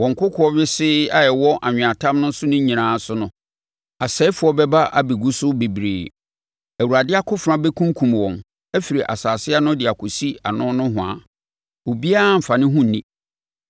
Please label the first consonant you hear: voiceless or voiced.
voiced